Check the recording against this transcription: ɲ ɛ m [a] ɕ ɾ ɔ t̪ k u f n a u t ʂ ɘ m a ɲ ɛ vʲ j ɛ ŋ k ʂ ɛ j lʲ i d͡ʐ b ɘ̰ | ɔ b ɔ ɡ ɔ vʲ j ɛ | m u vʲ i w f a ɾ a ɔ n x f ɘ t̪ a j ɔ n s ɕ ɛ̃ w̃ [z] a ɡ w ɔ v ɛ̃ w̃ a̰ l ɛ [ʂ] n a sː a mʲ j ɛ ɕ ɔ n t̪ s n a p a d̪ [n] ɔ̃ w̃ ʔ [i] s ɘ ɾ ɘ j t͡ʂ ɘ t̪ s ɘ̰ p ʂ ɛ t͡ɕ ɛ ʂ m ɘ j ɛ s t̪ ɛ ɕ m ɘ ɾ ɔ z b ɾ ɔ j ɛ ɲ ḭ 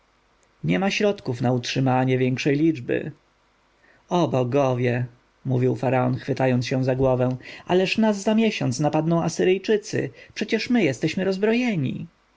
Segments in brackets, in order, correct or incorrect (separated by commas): correct, correct, correct, correct, incorrect